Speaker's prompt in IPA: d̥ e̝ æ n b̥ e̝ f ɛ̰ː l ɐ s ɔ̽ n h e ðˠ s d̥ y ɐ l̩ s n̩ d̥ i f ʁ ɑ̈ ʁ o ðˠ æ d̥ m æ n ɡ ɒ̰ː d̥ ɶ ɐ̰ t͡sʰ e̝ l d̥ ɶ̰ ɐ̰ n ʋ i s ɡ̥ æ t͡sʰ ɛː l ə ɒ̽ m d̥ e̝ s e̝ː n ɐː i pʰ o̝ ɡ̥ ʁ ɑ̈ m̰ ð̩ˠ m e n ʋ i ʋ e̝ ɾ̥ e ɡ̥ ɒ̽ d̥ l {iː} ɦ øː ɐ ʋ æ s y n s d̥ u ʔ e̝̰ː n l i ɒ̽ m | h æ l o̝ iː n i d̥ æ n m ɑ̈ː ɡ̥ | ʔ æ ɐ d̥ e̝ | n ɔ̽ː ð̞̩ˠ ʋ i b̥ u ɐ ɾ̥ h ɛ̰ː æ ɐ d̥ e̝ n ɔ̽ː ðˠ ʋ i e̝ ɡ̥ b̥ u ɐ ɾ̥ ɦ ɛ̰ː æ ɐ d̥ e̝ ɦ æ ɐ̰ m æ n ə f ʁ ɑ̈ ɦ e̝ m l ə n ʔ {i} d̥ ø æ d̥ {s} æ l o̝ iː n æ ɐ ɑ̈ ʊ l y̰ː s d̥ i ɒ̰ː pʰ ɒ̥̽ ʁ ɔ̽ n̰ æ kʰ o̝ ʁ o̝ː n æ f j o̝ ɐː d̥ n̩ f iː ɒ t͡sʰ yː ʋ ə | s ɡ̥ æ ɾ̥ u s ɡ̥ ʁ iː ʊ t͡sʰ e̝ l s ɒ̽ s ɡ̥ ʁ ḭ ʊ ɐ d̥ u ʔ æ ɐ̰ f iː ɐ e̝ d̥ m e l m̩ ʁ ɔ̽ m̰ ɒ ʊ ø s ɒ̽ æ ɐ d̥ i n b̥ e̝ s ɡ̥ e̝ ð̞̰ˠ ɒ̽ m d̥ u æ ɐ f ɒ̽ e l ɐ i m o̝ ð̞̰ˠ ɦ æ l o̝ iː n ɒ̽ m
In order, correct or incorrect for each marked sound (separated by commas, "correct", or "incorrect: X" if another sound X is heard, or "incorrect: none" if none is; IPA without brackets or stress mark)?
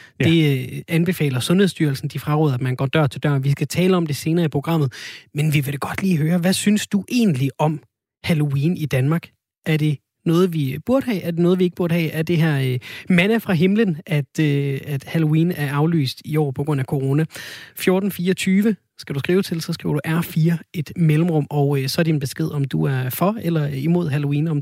correct, incorrect: æ, incorrect: h